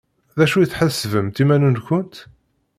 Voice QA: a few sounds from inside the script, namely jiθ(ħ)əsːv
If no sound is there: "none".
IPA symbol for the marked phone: ħ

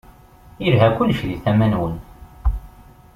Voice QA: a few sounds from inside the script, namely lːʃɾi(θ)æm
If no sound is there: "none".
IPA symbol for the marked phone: θ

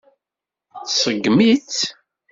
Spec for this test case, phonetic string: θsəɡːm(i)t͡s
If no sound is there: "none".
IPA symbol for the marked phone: i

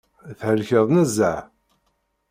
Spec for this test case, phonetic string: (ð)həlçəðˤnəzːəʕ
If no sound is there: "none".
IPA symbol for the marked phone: θ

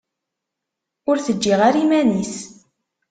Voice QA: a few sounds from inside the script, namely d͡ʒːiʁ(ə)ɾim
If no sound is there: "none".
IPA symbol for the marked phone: a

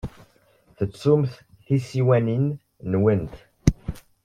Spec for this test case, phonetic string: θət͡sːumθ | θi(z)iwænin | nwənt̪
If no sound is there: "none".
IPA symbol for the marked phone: s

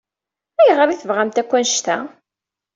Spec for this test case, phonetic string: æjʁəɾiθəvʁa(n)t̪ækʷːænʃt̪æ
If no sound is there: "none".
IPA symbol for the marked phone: m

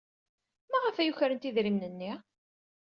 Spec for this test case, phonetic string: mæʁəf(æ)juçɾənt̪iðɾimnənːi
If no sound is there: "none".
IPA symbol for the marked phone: æ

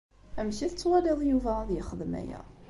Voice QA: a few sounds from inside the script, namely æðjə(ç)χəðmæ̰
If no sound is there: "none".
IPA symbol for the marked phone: none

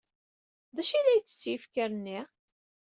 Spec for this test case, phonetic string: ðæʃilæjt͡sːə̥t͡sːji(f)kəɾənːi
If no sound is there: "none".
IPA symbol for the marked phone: f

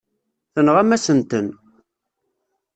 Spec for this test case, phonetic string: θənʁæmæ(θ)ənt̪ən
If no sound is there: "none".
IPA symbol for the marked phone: s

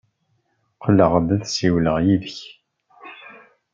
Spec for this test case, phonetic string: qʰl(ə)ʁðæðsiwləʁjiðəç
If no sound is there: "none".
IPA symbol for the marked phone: ə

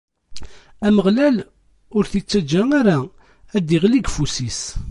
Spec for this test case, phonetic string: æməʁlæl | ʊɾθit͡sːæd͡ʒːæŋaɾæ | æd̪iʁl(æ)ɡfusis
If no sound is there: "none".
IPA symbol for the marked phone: i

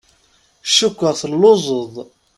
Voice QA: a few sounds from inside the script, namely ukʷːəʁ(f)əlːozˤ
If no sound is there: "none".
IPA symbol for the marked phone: θ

